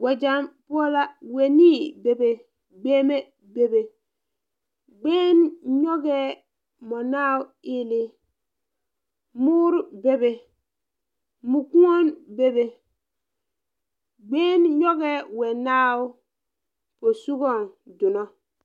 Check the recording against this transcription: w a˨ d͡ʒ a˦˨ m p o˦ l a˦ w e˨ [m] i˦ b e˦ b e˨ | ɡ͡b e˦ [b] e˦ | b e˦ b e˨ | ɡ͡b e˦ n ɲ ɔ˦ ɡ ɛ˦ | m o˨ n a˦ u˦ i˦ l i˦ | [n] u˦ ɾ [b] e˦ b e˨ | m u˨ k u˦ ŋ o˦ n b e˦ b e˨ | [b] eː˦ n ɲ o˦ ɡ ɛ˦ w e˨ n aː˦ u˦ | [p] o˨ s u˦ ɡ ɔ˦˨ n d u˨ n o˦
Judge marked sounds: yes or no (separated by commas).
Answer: no, no, no, yes, no, yes